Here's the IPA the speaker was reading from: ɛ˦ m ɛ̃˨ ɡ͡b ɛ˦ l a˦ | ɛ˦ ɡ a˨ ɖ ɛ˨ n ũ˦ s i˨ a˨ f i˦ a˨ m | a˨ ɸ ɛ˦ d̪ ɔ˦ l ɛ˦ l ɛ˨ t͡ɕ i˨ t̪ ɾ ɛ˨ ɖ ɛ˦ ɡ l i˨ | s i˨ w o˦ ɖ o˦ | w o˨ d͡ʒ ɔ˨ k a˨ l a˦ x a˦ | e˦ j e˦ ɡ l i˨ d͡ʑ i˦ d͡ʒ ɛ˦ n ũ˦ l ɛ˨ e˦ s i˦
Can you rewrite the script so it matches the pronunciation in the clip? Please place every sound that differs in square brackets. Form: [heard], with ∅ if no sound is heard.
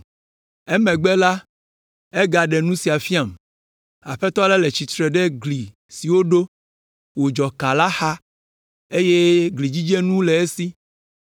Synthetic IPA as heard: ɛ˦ m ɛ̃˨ ɡ͡b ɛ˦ l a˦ | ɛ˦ ɡ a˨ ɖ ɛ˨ n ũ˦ s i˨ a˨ f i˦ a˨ m | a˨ ɸ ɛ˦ [t̪] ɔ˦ l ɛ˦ l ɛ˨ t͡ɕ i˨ t̪ ɾ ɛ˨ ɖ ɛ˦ ɡ l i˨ | s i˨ w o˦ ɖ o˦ | w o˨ d͡ʒ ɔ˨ k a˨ l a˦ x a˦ | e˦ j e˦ ɡ l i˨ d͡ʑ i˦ d͡ʒ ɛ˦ n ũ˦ l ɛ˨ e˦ s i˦

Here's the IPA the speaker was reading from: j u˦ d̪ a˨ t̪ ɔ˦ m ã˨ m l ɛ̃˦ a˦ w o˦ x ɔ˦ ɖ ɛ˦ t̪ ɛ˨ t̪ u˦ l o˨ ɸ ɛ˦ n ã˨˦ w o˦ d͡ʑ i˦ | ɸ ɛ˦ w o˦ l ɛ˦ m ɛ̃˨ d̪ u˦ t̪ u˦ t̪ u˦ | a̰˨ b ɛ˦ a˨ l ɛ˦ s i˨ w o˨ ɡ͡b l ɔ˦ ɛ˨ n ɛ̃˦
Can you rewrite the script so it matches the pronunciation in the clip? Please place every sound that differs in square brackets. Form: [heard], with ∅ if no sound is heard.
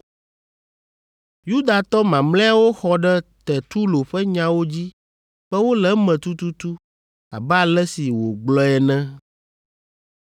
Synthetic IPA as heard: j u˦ d̪ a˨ t̪ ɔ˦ m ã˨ m l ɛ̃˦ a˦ w o˦ x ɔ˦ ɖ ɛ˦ t̪ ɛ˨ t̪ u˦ l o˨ ɸ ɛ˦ [ɲ] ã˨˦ w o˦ d͡ʑ i˦ | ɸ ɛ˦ w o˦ l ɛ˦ m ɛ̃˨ [t̪] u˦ t̪ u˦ t̪ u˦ | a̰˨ b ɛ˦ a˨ l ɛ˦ s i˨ w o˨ ɡ͡b l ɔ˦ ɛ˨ n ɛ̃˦

